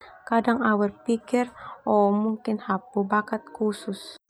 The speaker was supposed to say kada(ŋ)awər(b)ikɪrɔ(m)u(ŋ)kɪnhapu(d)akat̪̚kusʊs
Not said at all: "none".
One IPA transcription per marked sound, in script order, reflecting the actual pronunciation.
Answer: ŋ, p, m, ŋ, b

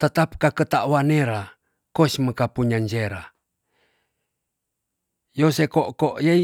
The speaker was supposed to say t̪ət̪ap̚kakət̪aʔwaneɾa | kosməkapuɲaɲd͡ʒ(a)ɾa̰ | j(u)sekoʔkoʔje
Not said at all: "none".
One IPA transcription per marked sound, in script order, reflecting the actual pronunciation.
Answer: e, o

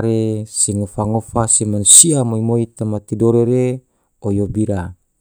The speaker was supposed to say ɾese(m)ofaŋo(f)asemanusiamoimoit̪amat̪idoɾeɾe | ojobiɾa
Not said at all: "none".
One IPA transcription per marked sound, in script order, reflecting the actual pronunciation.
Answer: ŋ, f

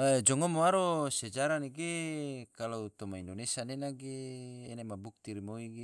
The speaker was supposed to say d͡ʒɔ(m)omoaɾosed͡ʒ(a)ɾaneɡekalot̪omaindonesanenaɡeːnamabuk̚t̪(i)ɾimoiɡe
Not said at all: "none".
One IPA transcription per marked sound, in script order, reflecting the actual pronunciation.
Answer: ŋ, a, i

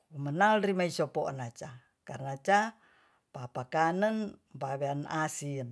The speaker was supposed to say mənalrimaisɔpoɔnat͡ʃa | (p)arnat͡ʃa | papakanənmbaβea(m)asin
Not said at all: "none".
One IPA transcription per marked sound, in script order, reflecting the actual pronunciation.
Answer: k, n

